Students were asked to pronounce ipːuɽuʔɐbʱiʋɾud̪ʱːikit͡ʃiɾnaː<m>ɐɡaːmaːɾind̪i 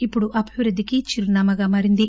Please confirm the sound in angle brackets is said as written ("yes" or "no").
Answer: yes